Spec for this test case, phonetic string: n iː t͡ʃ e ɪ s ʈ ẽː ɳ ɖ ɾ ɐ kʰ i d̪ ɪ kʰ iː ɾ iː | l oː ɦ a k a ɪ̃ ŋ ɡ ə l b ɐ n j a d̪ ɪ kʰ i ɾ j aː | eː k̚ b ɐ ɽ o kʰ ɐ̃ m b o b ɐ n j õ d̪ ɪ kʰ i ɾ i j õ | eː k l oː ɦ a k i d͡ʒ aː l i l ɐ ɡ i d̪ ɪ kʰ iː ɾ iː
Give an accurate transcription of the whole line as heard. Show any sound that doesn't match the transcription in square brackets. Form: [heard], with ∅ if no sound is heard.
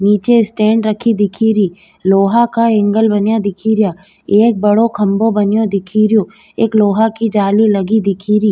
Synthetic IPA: n iː t͡ʃ e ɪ s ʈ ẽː ɳ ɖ ɾ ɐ kʰ i d̪ ɪ kʰ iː ɾ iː | l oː ɦ a k a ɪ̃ ŋ ɡ ə l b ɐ n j a d̪ ɪ kʰ i ɾ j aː | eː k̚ b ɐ ɽ o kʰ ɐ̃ m b o b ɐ n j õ d̪ ɪ kʰ i ɾ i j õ | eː k l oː ɦ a k i d͡ʒ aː l i l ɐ ɡ i d̪ ɪ kʰ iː ɾ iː